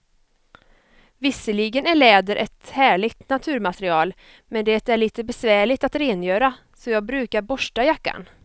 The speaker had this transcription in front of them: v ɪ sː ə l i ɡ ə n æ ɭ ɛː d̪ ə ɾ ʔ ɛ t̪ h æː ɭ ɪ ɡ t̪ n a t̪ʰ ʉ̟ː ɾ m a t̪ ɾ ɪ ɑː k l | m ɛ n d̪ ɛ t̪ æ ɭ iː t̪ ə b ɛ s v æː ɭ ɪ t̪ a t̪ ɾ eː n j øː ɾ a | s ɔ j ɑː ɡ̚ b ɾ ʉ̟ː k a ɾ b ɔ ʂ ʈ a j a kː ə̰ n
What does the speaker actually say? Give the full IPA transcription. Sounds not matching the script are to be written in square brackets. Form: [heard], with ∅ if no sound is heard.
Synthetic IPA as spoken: v ɪ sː ə l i ɡ ə n æ ɭ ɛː d̪ ə ɾ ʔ ɛ t̪ h æː ɭ ɪ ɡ t̪ n a t̪ʰ ʉ̟ː ɾ m a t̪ ɾ ɪ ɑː [∅] l | m ɛ n d̪ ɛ t̪ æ ɭ iː t̪ ə b ɛ s v æː ɭ ɪ t̪ a t̪ ɾ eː n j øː ɾ a | s ɔ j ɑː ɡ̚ b ɾ ʉ̟ː k a ɾ b ɔ ʂ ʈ a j a kː [a̰] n